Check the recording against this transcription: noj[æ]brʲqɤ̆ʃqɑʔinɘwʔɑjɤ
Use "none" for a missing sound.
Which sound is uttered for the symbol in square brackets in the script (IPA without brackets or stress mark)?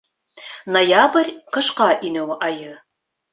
a